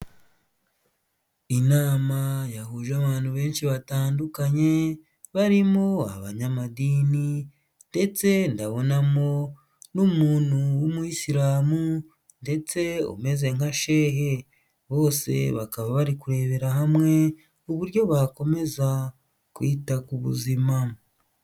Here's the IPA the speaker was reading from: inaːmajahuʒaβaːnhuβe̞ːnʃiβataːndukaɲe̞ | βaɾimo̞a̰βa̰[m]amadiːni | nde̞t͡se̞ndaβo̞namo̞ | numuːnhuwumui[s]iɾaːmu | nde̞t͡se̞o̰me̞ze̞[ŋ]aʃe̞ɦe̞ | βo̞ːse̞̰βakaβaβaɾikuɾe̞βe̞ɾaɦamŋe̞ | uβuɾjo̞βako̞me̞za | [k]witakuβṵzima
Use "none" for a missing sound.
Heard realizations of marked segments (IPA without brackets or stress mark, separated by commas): ɲ, s, ŋ, k